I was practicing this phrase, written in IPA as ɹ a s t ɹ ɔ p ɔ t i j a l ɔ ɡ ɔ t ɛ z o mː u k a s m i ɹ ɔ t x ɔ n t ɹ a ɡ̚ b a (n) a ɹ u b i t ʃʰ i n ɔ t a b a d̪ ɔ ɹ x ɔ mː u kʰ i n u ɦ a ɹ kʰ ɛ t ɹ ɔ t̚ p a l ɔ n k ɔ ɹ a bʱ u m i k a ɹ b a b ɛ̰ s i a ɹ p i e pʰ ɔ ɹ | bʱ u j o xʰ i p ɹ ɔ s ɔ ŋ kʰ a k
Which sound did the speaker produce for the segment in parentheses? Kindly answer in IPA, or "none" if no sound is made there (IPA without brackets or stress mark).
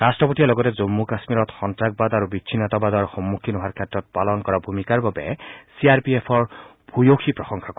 d